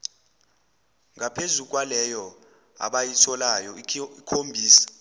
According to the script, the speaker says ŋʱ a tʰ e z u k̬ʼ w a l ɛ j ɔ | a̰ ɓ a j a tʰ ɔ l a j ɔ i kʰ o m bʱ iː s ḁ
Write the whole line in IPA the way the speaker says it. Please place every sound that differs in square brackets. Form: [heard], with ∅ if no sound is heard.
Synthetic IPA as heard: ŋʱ a [pʰ] e z u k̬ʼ w a l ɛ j ɔ | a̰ ɓ a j [i] tʰ ɔ l a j ɔ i kʰ o m bʱ iː s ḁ